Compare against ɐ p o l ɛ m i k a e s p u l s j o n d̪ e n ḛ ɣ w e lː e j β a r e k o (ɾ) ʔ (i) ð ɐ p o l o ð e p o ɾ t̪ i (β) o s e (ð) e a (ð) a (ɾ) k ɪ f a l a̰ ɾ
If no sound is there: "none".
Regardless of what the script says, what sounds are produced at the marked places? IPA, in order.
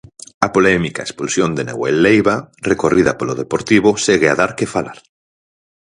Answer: r, i, β, ɣ, ð, ɾ

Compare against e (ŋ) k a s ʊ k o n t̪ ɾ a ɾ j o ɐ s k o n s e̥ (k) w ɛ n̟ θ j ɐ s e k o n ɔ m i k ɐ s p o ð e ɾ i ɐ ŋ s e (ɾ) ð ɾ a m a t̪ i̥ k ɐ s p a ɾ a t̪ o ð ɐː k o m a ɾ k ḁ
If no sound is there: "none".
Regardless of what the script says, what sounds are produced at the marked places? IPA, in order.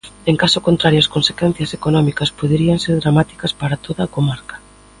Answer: ŋ, k, ɾ

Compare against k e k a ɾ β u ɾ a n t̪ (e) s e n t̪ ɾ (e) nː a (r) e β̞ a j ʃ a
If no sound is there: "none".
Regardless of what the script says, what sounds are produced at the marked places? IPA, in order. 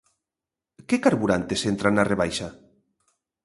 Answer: e, a, r

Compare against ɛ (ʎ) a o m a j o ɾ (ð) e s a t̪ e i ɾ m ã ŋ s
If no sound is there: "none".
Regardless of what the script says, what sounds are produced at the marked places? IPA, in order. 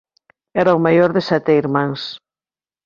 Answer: ɾ, ð

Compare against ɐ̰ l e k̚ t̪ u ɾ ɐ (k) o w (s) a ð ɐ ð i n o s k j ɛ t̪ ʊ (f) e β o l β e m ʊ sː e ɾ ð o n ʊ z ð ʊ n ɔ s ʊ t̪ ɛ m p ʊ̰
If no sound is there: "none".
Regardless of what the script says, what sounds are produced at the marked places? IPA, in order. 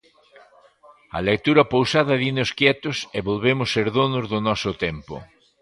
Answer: p, s, s

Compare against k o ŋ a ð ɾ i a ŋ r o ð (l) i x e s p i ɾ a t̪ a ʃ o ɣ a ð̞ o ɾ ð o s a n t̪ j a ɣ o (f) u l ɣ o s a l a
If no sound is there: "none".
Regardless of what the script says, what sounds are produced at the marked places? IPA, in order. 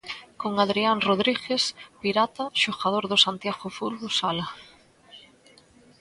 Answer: ɾ, f

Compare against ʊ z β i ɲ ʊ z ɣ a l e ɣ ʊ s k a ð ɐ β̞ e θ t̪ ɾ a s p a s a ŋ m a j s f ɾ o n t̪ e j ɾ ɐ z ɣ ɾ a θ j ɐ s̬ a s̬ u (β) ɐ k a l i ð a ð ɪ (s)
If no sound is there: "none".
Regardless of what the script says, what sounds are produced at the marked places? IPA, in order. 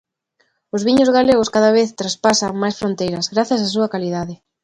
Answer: none, none

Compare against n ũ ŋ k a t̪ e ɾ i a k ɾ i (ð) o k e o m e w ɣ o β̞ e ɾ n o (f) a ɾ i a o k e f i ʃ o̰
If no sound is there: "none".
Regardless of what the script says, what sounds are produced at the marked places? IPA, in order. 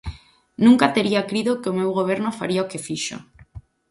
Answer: ð, f

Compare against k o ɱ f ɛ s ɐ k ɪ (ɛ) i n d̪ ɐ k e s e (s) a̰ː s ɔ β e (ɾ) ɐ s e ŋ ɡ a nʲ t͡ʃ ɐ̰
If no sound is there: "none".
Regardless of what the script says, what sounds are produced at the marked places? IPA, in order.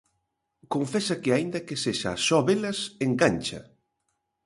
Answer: a, ʃ, l

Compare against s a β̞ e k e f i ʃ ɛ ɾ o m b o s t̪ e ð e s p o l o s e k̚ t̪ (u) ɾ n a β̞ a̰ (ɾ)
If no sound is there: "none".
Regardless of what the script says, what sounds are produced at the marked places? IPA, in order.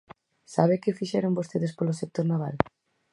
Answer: o, l

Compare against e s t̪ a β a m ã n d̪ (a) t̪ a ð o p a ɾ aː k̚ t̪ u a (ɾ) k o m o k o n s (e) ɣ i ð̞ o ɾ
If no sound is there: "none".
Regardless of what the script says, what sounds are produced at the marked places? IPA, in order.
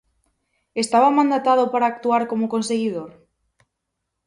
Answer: a, ɾ, e

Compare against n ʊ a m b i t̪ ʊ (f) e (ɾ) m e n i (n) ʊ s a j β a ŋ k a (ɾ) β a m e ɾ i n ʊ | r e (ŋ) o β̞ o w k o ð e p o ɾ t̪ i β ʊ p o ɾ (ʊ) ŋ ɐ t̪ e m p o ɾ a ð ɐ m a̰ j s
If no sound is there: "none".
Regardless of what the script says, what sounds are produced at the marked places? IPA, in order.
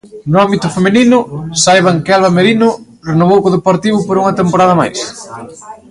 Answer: f, none, n, l, n, u

